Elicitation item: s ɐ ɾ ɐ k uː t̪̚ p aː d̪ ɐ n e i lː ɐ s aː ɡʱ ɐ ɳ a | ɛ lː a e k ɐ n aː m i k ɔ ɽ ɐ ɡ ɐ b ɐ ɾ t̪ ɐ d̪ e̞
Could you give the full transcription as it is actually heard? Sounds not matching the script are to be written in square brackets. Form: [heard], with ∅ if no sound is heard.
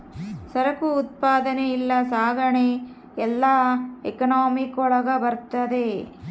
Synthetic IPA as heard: s ɐ ɾ ɐ k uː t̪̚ p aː d̪ ɐ n e i lː ɐ s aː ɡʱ ɐ ɳ [e] | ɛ lː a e k ɐ n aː m i k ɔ [ɭ] ɐ ɡ ɐ b ɐ ɾ t̪ ɐ d̪ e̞